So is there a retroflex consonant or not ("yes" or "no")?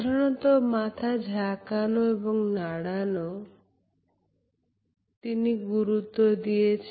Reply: yes